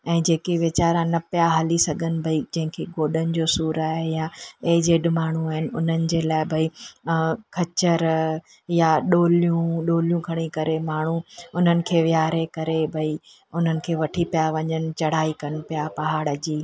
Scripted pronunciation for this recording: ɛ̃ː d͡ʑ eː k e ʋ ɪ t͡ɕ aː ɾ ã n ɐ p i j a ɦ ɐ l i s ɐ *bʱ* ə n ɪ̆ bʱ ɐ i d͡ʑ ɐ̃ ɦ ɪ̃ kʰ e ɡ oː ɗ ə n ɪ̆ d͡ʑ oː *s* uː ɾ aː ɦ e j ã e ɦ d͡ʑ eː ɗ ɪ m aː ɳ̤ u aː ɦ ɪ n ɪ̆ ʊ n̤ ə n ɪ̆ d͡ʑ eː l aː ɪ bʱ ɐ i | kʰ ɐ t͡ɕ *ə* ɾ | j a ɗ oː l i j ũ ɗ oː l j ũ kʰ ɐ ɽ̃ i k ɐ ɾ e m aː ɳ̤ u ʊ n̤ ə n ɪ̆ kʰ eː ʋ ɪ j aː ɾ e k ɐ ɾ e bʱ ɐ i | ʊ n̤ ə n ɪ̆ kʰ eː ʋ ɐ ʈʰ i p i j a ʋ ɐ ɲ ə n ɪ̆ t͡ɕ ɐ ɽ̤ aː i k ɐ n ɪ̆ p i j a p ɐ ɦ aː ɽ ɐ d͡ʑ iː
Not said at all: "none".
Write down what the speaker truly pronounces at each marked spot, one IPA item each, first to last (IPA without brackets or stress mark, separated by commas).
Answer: ɡʱ, s, ə